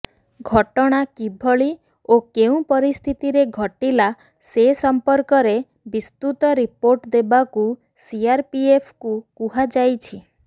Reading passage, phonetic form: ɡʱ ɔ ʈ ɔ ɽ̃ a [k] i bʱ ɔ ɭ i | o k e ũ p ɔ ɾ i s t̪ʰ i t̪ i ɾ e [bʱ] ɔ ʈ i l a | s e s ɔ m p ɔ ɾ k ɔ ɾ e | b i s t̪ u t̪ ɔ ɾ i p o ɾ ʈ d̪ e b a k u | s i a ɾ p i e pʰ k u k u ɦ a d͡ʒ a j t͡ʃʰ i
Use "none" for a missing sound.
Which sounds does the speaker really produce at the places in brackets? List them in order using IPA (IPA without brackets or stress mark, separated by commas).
k, ɡʱ